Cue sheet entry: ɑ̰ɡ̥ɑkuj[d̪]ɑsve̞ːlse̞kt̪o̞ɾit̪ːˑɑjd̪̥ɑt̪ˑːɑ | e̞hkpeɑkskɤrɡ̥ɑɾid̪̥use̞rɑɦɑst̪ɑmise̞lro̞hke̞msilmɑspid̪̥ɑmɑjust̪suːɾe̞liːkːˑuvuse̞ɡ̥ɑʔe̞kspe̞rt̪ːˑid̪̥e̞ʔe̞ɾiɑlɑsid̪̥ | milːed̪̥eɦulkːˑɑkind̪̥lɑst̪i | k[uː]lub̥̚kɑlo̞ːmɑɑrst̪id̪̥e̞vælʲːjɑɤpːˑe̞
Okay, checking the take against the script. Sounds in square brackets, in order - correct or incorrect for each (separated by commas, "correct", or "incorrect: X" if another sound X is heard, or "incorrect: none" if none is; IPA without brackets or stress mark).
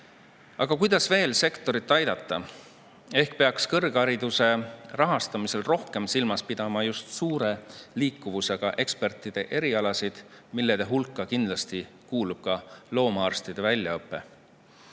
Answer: correct, correct